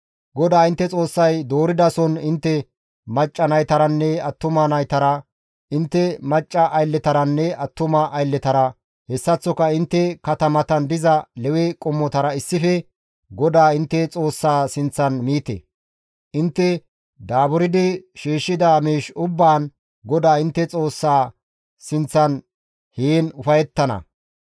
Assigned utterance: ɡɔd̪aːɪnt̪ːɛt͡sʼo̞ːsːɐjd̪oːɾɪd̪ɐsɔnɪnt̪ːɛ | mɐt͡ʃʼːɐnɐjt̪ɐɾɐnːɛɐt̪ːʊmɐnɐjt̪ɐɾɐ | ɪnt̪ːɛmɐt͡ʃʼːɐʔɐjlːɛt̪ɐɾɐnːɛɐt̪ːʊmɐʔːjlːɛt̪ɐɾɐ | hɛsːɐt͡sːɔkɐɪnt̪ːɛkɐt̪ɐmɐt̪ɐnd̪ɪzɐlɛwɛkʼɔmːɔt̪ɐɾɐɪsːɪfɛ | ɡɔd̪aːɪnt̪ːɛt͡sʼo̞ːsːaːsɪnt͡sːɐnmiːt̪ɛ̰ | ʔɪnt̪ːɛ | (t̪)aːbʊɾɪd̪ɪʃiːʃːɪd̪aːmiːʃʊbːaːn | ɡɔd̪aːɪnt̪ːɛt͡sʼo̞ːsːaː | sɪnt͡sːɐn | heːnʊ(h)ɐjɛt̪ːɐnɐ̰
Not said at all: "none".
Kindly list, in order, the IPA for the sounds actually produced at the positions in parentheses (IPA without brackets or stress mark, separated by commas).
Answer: d̪, f